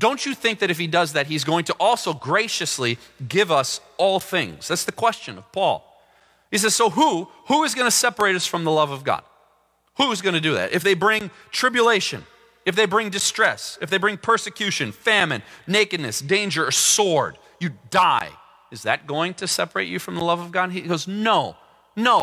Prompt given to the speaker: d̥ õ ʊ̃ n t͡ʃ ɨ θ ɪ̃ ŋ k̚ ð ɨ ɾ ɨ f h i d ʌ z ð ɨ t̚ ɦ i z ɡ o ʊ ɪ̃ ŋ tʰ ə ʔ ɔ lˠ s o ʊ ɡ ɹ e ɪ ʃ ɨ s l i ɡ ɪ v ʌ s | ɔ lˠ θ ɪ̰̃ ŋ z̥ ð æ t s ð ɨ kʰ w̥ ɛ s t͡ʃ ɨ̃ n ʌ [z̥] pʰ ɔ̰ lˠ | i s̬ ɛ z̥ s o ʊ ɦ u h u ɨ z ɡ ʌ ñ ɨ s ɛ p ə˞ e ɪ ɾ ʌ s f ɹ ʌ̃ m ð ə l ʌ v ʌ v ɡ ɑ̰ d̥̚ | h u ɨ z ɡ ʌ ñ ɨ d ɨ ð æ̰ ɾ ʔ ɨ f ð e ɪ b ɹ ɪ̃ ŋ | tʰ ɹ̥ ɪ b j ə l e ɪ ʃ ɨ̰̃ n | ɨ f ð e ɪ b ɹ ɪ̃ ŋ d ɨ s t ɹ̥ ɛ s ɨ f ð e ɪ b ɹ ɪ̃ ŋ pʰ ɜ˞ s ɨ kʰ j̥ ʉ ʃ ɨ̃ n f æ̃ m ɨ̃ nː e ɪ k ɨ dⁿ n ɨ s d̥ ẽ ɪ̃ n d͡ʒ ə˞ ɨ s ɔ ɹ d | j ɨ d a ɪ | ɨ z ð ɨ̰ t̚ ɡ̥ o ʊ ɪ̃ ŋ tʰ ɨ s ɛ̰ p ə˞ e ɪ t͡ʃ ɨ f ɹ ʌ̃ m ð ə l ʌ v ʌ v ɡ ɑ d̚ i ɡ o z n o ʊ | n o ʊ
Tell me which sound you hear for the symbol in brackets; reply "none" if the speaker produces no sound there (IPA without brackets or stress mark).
v̥